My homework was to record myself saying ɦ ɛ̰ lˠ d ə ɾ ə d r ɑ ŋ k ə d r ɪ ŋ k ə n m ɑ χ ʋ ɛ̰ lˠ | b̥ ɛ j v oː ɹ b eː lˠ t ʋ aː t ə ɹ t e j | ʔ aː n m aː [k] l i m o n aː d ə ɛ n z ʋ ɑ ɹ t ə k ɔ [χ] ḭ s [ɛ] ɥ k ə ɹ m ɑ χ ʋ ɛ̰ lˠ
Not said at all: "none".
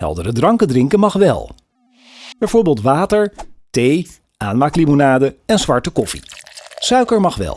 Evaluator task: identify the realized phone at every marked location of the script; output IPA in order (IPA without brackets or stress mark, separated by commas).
k, f, œ